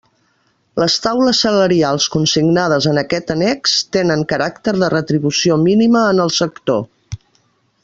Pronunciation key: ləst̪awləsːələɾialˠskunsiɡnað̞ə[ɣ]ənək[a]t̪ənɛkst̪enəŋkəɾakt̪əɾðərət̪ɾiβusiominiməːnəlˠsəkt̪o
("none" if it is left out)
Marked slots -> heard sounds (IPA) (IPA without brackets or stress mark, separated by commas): z, ɛ